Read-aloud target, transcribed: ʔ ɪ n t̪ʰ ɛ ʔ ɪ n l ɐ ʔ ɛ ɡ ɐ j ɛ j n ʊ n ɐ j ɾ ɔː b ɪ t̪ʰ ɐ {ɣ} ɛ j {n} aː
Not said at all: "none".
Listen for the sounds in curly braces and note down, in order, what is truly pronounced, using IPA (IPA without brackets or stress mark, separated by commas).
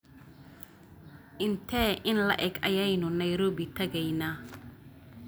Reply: ɣ, n